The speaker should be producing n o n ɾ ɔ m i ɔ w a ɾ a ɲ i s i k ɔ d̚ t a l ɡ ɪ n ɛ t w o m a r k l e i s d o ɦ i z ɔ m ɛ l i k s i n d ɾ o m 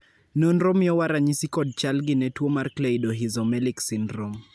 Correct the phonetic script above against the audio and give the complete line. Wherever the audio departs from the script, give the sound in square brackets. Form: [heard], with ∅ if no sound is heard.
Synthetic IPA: n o n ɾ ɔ m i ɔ w a ɾ a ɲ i s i k ɔ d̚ [t͡ʃ] a l ɡ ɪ n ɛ t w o m a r k l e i [∅] d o ɦ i z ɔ m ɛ l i k s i n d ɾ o m